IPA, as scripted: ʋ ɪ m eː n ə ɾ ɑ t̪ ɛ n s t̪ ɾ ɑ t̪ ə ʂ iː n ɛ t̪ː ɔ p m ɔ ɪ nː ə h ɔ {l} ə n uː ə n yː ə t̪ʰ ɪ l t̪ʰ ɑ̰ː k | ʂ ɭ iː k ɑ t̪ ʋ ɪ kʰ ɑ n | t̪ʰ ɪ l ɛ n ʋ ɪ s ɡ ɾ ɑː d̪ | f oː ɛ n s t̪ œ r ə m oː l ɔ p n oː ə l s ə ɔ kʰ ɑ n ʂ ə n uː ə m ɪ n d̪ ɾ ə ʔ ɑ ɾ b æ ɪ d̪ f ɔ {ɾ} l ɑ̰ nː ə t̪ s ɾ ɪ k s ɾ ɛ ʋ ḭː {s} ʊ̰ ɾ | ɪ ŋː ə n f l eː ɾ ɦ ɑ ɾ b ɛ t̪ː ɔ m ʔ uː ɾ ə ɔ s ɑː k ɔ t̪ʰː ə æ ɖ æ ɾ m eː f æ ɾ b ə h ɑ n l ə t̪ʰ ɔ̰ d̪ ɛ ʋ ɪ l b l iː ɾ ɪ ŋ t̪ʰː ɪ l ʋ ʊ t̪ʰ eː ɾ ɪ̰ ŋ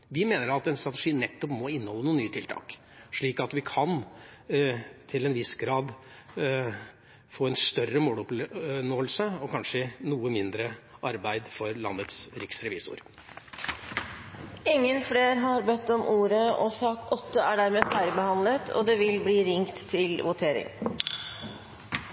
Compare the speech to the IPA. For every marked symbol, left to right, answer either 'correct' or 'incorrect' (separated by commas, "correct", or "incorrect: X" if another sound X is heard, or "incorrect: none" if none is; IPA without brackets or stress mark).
incorrect: lː, correct, correct